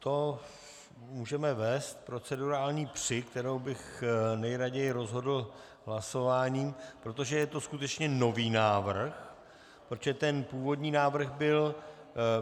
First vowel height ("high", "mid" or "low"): mid